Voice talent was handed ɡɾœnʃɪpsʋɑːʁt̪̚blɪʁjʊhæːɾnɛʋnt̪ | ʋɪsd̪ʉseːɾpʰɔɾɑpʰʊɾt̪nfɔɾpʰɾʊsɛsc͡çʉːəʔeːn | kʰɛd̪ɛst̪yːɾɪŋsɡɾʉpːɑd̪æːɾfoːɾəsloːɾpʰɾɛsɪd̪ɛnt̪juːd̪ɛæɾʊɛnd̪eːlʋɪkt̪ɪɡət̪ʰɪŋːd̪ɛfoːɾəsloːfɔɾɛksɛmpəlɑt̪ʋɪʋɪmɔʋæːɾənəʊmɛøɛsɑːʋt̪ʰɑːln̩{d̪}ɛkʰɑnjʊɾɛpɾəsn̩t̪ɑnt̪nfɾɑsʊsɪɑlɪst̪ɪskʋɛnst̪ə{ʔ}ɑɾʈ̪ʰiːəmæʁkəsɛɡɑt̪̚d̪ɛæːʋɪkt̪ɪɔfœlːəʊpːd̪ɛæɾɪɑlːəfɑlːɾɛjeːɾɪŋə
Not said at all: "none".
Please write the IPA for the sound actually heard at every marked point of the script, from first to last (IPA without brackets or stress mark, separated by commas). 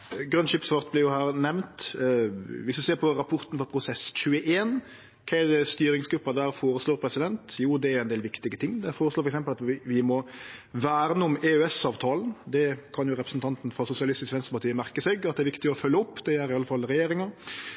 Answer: d̪, p